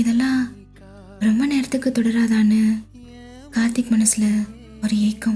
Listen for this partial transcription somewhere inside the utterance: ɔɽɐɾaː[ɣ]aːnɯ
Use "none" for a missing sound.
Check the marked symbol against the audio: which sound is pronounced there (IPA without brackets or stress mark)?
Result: ð